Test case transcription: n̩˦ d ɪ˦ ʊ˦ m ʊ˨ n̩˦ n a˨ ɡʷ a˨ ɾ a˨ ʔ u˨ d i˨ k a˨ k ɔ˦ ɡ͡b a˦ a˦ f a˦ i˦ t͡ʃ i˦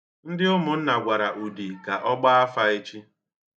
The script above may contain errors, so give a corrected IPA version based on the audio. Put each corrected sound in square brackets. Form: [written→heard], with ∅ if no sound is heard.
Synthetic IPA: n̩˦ d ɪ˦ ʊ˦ m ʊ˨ n̩˦ n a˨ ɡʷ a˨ ɾ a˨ ʔ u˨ d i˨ k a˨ [k→ʔ] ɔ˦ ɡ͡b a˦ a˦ f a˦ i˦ t͡ʃ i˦